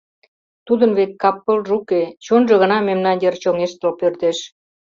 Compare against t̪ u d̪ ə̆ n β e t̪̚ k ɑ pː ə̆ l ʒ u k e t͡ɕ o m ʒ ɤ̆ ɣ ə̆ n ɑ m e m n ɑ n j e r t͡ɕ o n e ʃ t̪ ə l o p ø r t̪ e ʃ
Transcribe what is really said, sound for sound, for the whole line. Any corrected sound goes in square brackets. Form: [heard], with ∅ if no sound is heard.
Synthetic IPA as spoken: t̪ u d̪ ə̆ n β e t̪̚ k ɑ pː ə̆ l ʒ u k e t͡ɕ o [n] ʒ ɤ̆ ɣ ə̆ n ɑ m e m n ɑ n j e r t͡ɕ o [ŋ] e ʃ t̪ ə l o p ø r t̪ e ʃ